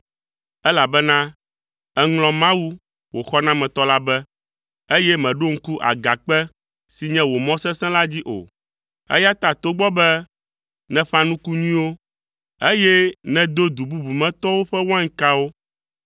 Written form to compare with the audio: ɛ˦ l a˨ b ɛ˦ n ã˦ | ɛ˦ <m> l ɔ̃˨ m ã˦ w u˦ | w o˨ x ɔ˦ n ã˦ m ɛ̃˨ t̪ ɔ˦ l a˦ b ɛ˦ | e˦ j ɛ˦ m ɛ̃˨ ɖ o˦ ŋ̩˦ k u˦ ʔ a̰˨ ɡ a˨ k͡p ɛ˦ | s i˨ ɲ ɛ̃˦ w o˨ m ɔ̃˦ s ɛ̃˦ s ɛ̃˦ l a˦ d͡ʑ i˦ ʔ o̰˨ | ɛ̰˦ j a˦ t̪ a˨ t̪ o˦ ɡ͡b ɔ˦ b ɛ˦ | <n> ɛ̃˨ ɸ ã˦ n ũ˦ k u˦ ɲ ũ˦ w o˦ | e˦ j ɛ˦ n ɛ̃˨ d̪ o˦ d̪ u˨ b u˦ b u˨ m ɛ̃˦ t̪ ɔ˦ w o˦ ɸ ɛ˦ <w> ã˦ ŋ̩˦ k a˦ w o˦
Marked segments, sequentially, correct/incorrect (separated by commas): incorrect, correct, correct